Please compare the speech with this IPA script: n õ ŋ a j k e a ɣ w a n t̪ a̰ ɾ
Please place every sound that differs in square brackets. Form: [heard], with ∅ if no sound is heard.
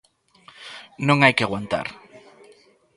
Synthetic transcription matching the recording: n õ ŋ a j k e a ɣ w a n t̪ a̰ ɾ